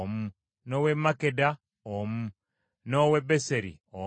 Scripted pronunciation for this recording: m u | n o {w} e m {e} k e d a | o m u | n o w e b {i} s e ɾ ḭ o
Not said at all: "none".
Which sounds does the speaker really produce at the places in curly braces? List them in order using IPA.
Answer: w, a, e

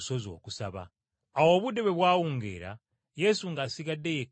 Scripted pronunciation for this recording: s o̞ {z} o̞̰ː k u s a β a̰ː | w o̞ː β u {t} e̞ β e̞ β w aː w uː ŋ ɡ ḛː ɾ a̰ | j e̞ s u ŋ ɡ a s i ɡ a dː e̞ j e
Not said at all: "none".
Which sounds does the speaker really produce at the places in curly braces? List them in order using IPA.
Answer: z, d

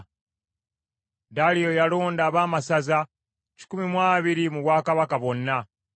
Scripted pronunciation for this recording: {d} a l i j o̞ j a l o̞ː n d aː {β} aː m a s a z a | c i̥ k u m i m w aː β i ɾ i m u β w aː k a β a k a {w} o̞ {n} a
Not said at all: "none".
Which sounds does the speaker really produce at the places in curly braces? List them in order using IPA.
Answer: d, β, β, nː

